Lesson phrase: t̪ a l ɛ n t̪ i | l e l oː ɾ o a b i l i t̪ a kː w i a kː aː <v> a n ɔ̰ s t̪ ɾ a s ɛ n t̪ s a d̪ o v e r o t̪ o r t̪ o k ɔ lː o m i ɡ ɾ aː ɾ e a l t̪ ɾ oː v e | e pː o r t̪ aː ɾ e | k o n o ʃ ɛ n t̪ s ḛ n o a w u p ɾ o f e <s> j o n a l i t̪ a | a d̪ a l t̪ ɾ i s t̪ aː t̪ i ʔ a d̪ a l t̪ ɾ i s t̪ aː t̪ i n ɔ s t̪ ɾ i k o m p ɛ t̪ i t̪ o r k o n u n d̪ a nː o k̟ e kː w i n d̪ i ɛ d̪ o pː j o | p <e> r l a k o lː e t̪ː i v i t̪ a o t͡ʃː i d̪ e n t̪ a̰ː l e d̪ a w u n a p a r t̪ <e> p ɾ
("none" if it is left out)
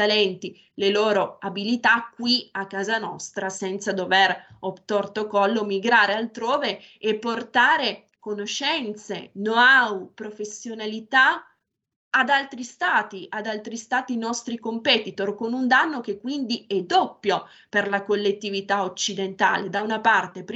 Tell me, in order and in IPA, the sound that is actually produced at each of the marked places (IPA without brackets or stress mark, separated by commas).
z, sː, e, e